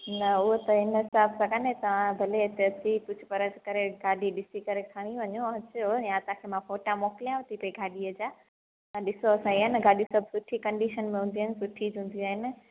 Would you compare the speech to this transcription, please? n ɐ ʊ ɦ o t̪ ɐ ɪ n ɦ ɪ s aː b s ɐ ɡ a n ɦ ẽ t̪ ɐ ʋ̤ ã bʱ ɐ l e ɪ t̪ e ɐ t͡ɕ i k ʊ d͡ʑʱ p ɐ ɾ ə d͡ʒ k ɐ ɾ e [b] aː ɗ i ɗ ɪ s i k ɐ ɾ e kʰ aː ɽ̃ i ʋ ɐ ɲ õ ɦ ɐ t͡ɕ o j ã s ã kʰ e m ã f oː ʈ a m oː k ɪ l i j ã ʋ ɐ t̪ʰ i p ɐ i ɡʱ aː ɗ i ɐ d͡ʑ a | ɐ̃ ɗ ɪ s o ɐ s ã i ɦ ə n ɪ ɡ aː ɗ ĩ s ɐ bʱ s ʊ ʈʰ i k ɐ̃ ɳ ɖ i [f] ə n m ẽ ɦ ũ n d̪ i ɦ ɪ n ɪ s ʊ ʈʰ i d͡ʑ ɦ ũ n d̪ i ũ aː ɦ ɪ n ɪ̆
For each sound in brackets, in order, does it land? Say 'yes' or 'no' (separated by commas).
no, no